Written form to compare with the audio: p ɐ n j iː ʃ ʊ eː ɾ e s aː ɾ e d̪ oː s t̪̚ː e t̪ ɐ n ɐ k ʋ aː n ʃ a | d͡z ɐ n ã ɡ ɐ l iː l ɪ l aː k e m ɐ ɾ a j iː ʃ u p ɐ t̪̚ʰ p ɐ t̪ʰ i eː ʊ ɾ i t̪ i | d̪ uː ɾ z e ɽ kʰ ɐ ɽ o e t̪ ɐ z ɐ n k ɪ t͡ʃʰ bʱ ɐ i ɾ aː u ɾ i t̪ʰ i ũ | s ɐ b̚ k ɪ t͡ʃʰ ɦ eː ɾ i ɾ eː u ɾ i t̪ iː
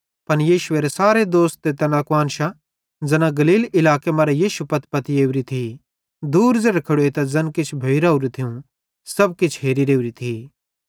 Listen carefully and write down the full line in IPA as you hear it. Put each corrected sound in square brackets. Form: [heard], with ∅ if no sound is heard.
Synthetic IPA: p ɐ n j iː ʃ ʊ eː ɾ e s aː ɾ e d̪ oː s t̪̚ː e t̪ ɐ n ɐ k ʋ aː n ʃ a | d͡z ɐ n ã ɡ ɐ l iː l ɪ l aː k e m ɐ ɾ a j iː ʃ u p ɐ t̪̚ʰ p ɐ [t̪] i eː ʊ ɾ i [t̪ʰ] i | d̪ uː ɾ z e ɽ kʰ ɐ ɽ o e t̪ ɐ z ɐ n k ɪ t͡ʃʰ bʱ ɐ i ɾ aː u ɾ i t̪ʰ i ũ | s ɐ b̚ k ɪ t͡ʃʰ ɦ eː ɾ i ɾ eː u ɾ i [t̪ʰ] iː